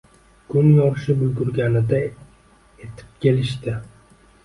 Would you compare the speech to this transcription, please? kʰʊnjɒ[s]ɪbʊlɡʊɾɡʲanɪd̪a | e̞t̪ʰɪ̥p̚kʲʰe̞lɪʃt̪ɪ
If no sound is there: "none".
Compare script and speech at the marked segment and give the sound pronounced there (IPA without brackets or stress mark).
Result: ʃ